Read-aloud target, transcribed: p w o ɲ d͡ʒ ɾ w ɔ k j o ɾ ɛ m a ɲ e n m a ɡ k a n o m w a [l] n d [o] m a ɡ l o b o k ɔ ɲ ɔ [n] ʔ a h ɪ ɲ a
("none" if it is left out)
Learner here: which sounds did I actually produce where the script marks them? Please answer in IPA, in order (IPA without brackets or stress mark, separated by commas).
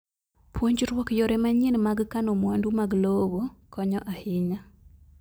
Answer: none, u, none